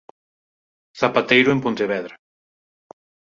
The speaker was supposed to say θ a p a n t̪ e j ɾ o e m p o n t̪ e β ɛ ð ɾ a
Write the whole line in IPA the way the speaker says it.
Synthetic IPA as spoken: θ a p a t̪ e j ɾ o e m p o n t̪ e β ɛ ð ɾ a